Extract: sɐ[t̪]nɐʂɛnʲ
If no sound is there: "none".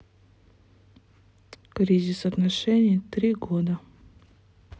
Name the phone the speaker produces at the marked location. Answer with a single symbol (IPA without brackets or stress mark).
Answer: t̪